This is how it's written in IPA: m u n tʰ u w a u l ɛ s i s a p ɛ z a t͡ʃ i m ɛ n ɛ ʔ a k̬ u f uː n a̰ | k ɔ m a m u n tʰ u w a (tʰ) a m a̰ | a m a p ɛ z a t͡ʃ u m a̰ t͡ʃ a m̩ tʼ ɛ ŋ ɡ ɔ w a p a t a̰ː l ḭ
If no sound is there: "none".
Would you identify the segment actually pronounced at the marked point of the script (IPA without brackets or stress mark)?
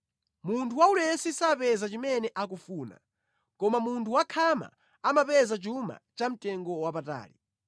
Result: kʰ